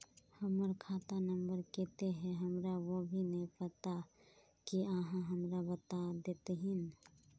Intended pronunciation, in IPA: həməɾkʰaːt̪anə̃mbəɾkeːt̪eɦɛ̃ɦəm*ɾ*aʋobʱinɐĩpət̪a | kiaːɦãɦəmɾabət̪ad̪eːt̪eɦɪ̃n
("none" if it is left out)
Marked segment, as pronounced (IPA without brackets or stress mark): ɾ